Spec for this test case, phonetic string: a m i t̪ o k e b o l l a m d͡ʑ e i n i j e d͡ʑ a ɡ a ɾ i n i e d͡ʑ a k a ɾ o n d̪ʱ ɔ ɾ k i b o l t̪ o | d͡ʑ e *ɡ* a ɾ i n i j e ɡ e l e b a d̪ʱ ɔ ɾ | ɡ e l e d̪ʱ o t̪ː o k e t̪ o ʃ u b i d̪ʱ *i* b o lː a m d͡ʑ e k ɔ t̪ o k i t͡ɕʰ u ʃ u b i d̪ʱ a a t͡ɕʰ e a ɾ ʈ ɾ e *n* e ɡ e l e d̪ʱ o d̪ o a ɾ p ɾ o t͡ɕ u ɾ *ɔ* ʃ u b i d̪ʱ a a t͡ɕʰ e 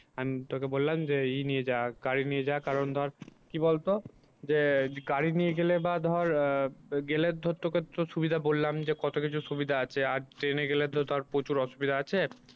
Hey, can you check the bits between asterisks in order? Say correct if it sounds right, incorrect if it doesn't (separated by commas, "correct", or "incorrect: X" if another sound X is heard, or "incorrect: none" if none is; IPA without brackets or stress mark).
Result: correct, incorrect: a, correct, correct